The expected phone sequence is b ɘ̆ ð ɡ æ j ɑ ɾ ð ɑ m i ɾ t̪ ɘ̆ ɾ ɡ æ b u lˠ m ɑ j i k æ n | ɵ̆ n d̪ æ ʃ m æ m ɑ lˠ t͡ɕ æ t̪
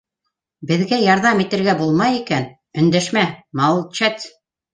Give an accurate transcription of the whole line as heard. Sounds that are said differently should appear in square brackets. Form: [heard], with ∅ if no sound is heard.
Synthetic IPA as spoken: b ɘ̆ ð ɡ æ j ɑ ɾ ð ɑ m i [∅] t̪ ɘ̆ ɾ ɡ æ b u lˠ m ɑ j i k æ n | ɵ̆ n d̪ æ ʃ m æ m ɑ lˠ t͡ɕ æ t̪